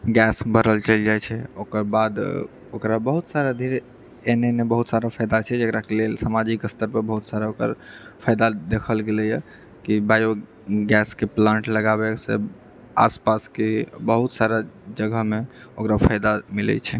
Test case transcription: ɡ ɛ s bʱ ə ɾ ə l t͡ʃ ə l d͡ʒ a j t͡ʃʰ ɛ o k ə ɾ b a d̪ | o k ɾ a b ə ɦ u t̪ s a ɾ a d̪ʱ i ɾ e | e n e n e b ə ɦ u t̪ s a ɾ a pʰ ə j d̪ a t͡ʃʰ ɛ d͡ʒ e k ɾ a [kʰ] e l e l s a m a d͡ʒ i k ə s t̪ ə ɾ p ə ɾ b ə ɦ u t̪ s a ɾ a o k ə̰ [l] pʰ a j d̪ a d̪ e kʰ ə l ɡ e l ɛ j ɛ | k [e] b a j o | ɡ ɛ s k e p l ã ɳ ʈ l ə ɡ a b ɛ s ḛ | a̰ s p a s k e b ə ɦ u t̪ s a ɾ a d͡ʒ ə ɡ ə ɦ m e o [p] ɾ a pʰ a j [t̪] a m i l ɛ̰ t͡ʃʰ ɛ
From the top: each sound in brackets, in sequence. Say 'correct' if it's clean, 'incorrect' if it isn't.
incorrect: k, incorrect: ɾ, incorrect: i, incorrect: k, incorrect: d̪

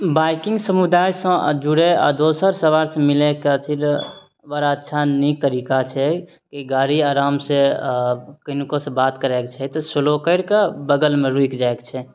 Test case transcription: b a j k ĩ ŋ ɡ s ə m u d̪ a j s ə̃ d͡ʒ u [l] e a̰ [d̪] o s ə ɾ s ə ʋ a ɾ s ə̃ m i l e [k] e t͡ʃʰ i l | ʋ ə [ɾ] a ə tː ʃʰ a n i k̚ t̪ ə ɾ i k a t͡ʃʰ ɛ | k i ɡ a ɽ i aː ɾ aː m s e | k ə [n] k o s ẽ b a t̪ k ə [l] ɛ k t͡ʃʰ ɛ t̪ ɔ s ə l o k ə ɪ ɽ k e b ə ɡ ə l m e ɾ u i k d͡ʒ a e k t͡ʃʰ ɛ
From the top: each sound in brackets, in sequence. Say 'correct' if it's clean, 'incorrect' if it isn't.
incorrect: ɽ, correct, correct, correct, correct, incorrect: ɾ

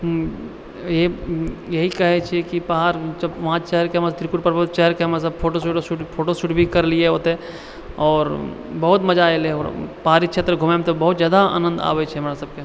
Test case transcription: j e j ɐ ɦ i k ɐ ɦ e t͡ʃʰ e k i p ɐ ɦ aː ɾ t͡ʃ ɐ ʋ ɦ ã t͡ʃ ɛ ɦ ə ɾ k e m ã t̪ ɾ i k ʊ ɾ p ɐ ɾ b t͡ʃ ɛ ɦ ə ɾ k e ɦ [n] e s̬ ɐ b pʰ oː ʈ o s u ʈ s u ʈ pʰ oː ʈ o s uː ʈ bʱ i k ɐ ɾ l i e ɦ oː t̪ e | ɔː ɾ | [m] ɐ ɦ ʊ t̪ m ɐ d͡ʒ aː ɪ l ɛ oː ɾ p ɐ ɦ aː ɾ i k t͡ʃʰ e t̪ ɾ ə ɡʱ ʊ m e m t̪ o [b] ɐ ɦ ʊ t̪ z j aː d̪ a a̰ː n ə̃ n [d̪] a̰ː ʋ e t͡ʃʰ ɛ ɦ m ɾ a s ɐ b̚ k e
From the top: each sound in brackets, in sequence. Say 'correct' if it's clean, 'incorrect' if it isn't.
incorrect: m, incorrect: b, correct, correct

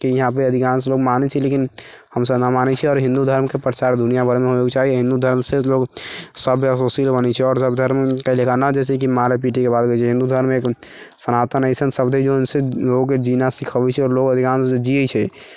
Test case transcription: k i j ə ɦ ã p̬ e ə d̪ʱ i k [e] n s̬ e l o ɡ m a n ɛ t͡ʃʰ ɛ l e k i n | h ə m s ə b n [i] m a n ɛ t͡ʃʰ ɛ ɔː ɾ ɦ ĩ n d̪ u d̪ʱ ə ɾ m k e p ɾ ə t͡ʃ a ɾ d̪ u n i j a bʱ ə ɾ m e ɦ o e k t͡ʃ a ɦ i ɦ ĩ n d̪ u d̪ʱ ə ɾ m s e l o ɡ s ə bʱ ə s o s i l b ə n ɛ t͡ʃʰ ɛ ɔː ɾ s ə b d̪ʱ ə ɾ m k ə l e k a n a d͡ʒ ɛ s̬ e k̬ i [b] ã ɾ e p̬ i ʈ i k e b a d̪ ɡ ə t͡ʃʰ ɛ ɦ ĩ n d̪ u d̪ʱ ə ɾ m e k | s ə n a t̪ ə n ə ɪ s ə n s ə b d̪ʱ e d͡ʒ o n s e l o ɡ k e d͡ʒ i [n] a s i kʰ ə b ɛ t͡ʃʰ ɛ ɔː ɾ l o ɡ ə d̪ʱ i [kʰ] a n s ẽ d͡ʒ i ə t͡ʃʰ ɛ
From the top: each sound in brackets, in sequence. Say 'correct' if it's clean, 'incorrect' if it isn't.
incorrect: a, incorrect: a, incorrect: m, correct, incorrect: k

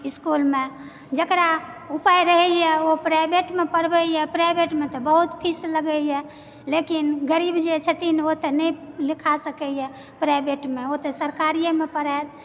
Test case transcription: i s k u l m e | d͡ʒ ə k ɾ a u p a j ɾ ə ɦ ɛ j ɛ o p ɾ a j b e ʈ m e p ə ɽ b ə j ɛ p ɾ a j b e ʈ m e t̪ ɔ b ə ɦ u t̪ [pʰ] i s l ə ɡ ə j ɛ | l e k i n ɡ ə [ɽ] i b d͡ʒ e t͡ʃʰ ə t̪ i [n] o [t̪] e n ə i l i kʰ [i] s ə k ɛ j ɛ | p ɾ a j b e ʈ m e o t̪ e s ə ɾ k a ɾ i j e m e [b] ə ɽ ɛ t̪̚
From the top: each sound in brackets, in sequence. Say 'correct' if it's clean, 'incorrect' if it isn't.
correct, incorrect: ɾ, correct, correct, incorrect: a, incorrect: p

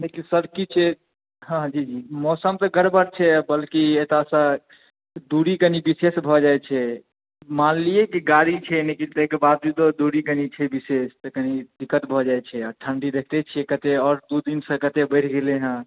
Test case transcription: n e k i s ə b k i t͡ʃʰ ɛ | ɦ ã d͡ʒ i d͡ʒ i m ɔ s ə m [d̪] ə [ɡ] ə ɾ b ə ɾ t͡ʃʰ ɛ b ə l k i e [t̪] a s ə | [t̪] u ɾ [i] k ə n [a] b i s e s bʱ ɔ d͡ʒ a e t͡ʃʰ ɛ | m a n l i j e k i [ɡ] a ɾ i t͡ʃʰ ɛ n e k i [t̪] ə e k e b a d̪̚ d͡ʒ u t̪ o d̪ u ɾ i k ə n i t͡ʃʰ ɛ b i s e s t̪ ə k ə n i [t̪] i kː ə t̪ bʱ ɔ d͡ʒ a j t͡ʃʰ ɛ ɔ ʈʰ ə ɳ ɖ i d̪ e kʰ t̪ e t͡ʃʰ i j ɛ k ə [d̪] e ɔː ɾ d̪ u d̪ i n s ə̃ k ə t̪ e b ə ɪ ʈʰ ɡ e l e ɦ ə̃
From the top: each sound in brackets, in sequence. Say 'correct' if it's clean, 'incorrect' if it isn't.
incorrect: t̪, correct, correct, incorrect: d̪, correct, incorrect: i, correct, correct, incorrect: d̪, incorrect: t̪

